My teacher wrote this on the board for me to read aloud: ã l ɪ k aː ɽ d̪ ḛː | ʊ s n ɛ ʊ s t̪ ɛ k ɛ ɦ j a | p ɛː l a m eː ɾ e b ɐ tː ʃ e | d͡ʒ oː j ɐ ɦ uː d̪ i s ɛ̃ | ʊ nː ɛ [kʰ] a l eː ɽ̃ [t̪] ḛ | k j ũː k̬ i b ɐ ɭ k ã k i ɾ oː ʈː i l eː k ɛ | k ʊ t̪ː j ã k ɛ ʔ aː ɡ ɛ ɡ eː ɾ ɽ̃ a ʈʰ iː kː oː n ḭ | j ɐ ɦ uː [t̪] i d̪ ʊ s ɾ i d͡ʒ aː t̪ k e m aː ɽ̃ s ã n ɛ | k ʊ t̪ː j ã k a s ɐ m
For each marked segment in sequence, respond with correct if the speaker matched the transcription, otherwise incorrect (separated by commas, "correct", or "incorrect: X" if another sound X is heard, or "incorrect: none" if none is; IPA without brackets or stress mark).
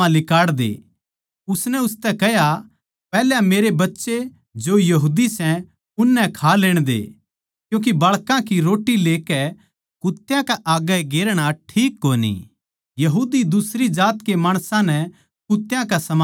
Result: correct, incorrect: d̪, incorrect: d̪